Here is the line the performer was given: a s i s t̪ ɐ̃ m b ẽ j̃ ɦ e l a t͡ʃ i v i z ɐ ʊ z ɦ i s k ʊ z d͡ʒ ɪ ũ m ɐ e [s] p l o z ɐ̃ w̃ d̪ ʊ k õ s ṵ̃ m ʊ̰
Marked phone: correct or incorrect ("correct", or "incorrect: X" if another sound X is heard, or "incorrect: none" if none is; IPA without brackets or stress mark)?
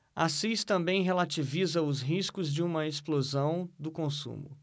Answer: correct